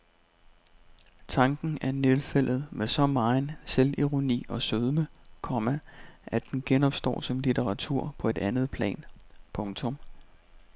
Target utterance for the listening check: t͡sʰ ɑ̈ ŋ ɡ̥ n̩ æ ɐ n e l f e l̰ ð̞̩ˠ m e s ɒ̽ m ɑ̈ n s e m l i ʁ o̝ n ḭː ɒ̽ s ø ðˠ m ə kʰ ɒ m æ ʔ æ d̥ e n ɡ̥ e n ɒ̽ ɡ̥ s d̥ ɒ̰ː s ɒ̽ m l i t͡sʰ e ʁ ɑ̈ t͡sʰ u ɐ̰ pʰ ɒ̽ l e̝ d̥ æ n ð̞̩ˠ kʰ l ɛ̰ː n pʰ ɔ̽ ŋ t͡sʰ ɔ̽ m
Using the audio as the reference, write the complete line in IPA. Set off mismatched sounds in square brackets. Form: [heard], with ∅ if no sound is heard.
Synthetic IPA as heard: t͡sʰ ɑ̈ ŋ ɡ̥ n̩ æ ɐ n e l f e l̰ ð̞̩ˠ m e s ɒ̽ m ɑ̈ n s e [∅] l i ʁ o̝ n ḭː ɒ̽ s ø ðˠ m ə kʰ ɒ m æ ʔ æ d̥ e n ɡ̥ e n ɒ̽ [b̥] s d̥ ɒ̰ː s ɒ̽ m l i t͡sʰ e ʁ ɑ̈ t͡sʰ u ɐ̰ pʰ ɒ̽ [∅] e̝ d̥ æ n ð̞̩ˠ [pʰ] l ɛ̰ː n pʰ ɔ̽ ŋ t͡sʰ ɔ̽ m